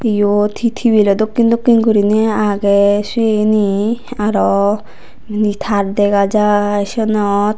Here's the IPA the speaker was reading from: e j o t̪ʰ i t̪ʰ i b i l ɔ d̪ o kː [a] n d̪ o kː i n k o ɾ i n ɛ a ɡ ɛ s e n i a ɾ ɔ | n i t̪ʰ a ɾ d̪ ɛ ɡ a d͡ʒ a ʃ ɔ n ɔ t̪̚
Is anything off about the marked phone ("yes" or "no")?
yes